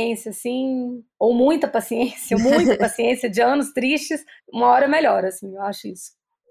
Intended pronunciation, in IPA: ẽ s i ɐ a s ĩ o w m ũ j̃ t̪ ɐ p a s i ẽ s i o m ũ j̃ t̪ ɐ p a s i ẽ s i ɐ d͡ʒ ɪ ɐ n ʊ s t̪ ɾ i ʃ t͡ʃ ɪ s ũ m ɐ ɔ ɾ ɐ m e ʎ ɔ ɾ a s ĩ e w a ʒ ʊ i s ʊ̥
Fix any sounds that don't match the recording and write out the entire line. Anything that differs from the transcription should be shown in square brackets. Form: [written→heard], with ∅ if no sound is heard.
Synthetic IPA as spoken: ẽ s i ɐ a s ĩ o w m ũ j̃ t̪ ɐ p a s i ẽ s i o m ũ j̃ t̪ ɐ p a s i ẽ s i ɐ d͡ʒ ɪ [ɐ→ɐ̃] n ʊ s t̪ ɾ i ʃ t͡ʃ ɪ s ũ m ɐ ɔ ɾ ɐ m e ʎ ɔ ɾ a s ĩ e w a [ʒ→ʃ] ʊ i s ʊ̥